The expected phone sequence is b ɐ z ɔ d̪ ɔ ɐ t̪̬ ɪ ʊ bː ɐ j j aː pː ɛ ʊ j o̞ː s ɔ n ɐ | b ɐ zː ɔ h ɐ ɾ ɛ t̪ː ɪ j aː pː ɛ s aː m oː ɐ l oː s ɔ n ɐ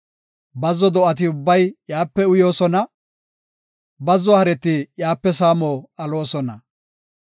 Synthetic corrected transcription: b ɐ z ɔ d̪ ɔ ɐ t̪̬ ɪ ʊ bː ɐ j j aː pː ɛ ʊ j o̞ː s ɔ n ɐ | b ɐ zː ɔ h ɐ ɾ ɛ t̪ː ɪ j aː pː ɛ s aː m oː ɐ l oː s ɔ n ɐ